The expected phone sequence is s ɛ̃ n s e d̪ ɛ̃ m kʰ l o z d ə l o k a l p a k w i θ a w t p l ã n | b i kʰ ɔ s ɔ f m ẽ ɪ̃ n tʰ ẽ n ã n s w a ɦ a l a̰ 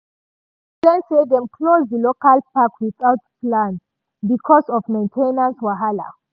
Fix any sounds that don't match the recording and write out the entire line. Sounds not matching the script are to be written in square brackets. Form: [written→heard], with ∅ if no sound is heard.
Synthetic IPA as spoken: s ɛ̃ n s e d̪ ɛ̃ m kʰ l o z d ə l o k a l p a k w i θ a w t p l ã n | b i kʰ ɔ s ɔ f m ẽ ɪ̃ n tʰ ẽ n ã n s w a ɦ a l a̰